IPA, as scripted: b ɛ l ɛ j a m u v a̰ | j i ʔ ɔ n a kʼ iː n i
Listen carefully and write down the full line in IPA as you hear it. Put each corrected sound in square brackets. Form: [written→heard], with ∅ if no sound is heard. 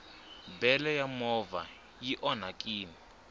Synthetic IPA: b ɛ l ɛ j a m [u→ɔ] v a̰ | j i ʔ ɔ n a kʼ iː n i